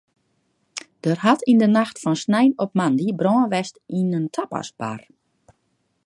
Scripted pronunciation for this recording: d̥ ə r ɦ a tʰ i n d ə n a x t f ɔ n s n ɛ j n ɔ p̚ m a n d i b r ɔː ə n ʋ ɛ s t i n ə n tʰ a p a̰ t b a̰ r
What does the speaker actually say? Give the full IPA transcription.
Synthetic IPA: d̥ ə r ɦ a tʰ i n d ə n a x t f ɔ n s n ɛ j n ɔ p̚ m a n d i b r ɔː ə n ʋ ɛ s t i n ə n tʰ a p a̰ s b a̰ r